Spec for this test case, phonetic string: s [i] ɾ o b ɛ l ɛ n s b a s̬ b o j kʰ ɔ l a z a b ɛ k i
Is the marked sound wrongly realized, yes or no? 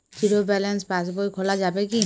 no